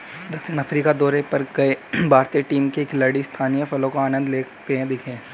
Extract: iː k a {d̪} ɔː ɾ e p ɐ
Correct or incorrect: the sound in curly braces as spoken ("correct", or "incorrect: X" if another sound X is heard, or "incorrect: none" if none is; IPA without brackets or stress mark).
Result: correct